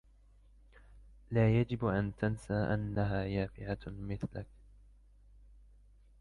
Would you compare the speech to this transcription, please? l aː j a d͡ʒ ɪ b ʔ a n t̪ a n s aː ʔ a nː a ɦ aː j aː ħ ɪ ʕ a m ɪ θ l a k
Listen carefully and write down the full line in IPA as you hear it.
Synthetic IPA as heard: l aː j a d͡ʒ ɪ b ʔ a n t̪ a n s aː ʔ a nː a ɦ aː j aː f ɪ ʕ a m ɪ θ l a k